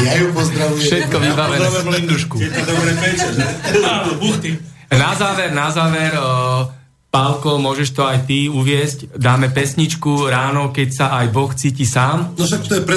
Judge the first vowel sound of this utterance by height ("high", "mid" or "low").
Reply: low